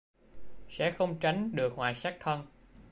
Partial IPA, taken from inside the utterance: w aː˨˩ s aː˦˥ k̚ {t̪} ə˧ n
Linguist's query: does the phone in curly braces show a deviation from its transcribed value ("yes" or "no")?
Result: yes